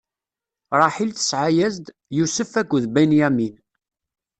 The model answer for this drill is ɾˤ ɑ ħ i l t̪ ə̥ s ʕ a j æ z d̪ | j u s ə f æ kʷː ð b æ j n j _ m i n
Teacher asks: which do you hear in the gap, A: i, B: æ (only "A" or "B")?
B